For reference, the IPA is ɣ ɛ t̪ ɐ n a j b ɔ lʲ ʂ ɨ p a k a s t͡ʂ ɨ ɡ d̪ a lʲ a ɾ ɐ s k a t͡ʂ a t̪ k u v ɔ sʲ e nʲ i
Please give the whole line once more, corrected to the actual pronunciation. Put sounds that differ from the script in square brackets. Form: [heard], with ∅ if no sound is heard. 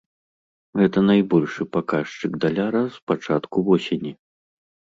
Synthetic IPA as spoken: ɣ ɛ t̪ ɐ n a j b ɔ lʲ ʂ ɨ p a k a [ʂ] t͡ʂ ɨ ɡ d̪ a lʲ a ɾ ɐ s [p] a t͡ʂ a t̪ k u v ɔ sʲ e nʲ i